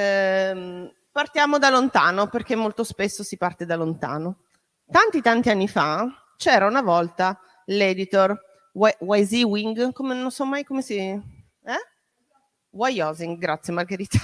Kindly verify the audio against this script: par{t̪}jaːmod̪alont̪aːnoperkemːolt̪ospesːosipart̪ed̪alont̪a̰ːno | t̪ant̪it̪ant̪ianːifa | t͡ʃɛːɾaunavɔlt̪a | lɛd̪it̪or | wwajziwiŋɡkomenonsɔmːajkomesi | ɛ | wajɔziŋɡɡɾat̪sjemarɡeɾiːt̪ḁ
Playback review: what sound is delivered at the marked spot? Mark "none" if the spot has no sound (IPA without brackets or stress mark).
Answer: t̪